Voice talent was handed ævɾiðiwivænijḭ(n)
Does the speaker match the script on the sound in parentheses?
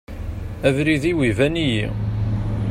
no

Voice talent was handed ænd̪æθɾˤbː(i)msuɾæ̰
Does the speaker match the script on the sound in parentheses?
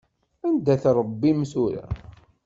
yes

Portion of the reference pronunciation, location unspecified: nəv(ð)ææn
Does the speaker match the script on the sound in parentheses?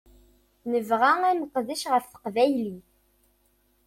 no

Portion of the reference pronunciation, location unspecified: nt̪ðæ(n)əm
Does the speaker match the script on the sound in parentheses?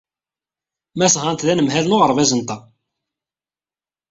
yes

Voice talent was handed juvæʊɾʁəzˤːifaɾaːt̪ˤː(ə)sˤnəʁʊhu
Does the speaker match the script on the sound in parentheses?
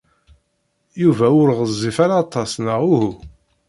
no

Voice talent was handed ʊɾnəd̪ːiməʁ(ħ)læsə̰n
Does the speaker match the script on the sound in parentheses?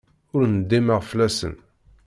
no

